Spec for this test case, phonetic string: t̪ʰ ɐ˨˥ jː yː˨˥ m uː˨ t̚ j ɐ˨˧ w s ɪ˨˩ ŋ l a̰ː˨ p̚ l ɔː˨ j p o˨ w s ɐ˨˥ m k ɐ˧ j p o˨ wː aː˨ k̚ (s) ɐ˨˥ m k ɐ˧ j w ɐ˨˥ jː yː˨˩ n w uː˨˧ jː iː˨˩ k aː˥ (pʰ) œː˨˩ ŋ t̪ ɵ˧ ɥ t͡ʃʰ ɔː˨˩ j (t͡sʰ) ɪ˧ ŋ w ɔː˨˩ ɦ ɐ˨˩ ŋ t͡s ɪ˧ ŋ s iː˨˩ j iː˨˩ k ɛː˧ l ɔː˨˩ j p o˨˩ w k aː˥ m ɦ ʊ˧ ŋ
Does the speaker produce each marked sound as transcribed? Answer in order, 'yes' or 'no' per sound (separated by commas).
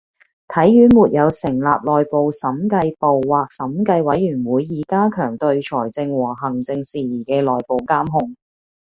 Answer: yes, no, no